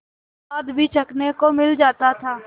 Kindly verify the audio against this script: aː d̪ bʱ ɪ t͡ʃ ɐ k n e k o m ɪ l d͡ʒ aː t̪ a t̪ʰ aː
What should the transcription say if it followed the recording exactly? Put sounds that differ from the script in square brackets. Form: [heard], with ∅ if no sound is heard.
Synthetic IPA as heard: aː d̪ bʱ [i] t͡ʃ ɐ k n e k o m ɪ l d͡ʒ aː t̪ a t̪ʰ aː